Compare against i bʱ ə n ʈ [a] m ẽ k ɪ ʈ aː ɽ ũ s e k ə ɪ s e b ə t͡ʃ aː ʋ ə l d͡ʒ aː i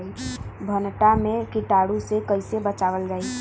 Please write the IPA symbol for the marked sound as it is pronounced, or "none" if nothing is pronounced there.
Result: a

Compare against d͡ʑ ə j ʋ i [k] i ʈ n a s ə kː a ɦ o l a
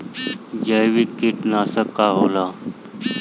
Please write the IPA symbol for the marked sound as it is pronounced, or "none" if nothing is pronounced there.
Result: k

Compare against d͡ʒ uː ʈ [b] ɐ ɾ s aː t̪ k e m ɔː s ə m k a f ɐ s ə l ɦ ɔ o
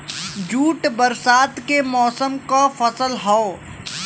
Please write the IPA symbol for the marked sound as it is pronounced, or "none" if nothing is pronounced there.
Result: b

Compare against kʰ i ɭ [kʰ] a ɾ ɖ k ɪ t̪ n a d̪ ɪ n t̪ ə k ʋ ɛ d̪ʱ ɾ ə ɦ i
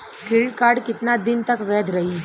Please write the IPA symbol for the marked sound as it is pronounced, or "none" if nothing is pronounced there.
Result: k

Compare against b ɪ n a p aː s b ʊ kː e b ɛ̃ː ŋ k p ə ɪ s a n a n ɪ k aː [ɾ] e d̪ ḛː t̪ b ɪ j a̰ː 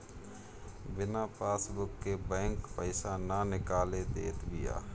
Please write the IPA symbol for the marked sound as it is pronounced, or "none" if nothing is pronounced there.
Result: l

